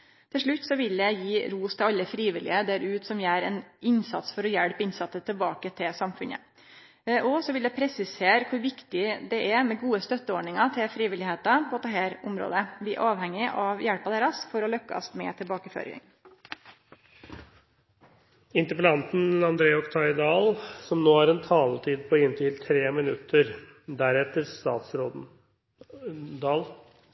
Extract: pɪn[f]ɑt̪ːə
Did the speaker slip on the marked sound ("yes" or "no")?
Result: yes